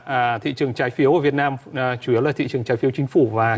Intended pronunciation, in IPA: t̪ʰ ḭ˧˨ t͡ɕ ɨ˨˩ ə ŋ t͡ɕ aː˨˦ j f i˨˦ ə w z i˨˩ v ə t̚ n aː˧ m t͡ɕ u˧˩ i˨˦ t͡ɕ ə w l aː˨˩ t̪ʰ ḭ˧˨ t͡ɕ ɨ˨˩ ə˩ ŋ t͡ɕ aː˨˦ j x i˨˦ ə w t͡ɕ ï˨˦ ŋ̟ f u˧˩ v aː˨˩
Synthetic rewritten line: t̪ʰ ḭ˧˨ t͡ɕ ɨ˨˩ ə ŋ t͡ɕ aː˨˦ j f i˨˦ ə w v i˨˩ ə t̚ n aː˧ m t͡ɕ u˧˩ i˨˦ ə w l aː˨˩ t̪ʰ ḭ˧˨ t͡ɕ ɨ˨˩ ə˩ ŋ t͡ɕ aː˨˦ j f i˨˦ ə w t͡ɕ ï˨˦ ŋ̟ f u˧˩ v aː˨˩